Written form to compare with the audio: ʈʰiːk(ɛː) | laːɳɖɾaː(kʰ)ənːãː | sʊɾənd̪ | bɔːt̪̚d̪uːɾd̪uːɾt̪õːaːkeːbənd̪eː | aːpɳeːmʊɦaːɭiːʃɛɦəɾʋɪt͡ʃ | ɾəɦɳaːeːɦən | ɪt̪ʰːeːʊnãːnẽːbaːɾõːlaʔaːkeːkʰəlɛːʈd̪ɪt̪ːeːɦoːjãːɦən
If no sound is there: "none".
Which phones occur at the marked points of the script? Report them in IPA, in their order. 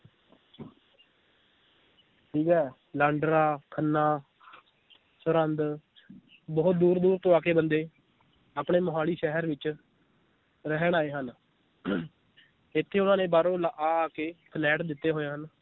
ɛː, kʰ

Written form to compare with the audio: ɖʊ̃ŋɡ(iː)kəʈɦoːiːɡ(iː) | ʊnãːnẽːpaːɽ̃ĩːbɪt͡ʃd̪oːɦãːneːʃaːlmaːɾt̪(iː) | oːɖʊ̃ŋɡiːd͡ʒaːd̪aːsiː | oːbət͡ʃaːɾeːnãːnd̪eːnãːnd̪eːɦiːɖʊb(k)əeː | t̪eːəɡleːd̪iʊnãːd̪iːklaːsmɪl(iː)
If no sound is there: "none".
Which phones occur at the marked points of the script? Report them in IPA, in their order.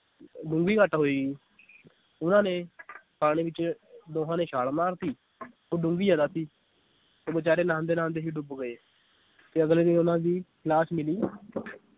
iː, iː, iː, ɡ, iː

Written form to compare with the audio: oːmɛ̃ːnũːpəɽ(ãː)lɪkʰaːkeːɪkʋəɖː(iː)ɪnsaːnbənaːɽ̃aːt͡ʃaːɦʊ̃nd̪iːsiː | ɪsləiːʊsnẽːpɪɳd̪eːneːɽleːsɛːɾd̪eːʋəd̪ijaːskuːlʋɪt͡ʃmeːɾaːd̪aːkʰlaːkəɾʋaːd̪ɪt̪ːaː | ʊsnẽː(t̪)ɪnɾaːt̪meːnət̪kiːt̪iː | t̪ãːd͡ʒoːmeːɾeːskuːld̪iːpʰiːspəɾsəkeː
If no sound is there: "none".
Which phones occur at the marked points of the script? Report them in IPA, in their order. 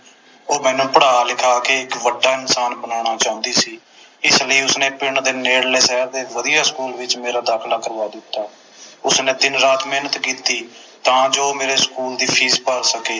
aː, aː, d̪

